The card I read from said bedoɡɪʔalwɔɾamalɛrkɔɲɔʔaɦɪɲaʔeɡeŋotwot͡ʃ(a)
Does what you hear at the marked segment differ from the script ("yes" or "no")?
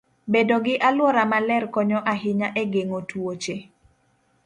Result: yes